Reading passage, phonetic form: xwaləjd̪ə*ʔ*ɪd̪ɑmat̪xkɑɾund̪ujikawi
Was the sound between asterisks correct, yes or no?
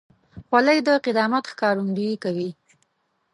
no